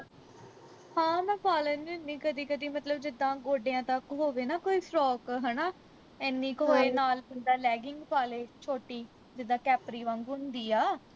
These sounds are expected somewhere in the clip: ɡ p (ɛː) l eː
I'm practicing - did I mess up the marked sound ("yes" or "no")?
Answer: yes